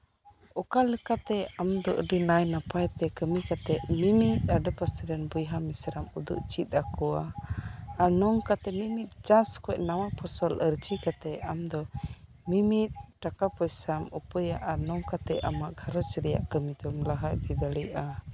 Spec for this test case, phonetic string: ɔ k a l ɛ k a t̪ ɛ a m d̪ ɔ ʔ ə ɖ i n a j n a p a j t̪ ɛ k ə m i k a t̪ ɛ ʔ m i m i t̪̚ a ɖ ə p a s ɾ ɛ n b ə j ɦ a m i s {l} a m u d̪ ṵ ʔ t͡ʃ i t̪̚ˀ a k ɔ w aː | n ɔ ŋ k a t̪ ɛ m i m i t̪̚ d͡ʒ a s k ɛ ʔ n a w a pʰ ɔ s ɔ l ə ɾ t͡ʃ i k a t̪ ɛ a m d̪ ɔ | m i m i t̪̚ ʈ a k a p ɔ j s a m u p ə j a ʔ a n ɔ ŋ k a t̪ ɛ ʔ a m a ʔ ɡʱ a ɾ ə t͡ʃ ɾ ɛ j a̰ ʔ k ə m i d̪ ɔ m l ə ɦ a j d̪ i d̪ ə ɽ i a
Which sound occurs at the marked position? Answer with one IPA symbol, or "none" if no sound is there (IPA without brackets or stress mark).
ɾ